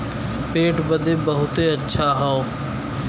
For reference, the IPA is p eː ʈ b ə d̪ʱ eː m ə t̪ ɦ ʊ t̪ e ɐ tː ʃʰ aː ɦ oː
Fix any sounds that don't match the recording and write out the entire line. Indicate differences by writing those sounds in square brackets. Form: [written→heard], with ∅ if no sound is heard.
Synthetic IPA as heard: p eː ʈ b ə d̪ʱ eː [m→b] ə [t̪→∅] ɦ ʊ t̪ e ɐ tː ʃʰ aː ɦ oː